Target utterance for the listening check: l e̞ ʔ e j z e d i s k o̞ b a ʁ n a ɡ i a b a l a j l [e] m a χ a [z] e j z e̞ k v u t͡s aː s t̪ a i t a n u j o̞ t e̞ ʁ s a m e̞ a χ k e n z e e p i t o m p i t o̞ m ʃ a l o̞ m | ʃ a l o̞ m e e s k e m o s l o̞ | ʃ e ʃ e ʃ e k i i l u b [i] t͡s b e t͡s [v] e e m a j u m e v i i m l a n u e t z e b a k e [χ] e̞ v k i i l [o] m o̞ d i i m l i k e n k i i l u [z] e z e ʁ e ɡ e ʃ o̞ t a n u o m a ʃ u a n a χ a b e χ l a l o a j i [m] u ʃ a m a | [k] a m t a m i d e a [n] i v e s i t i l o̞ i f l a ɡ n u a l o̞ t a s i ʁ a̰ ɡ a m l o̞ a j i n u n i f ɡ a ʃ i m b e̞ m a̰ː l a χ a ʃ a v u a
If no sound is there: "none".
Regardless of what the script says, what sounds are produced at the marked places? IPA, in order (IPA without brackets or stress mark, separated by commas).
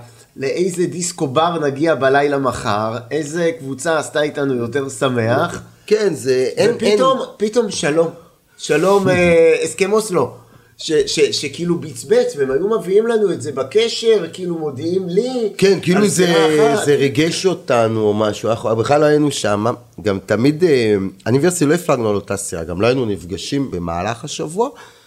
a, ʁ, i, v, ʃ, u, z, n, ɡ, n